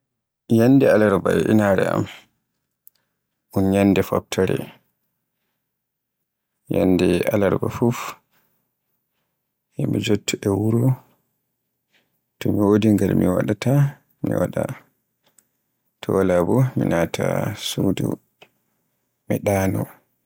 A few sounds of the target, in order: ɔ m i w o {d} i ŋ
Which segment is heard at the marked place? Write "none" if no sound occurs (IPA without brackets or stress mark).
d